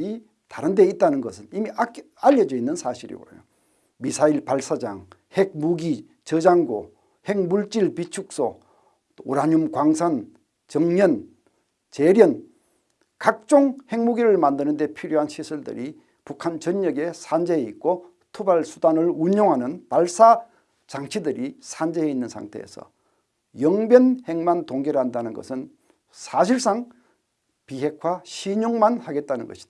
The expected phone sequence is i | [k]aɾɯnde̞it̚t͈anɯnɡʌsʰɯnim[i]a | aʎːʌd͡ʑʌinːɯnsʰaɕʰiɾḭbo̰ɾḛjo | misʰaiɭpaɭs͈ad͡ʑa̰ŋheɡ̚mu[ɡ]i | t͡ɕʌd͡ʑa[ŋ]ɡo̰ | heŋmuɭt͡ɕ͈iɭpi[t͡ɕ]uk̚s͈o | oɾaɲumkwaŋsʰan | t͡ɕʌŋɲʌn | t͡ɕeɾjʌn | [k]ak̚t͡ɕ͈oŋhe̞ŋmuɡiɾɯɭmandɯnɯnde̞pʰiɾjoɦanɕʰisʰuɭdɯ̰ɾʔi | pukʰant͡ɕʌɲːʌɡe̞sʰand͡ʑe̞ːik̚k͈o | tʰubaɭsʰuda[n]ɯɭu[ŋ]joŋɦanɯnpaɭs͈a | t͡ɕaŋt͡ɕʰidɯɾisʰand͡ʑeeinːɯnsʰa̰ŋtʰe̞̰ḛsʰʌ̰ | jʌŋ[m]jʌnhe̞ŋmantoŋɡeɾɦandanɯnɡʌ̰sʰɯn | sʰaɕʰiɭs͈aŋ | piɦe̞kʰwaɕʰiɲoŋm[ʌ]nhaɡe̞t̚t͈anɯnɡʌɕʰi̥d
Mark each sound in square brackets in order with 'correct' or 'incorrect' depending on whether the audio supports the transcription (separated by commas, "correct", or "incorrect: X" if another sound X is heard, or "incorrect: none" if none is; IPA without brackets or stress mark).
incorrect: t, correct, correct, correct, incorrect: t͡ɕʰ, correct, correct, incorrect: ɲ, incorrect: b, incorrect: a